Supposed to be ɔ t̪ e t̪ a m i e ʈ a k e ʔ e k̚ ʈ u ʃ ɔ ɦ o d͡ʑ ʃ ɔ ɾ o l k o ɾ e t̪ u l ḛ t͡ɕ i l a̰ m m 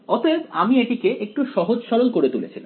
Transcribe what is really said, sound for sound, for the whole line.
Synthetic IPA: ɔ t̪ e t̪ a m i e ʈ i k e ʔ e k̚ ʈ u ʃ ɔ ɦ o d͡ʑ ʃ ɔ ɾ o l k o ɾ e t̪ u l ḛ t͡ɕʰ i l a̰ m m